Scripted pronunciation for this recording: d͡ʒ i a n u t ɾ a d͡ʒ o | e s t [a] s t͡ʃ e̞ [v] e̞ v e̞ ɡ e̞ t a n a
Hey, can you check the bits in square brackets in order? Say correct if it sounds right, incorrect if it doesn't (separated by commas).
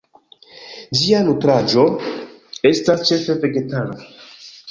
correct, incorrect